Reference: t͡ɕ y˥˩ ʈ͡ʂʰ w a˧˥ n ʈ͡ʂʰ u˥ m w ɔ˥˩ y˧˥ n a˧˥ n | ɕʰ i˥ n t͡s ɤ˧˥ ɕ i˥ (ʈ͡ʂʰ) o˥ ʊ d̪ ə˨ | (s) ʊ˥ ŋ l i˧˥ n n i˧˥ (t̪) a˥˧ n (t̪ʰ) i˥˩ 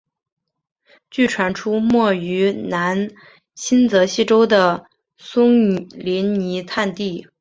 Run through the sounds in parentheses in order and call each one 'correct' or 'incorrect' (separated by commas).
incorrect, correct, incorrect, incorrect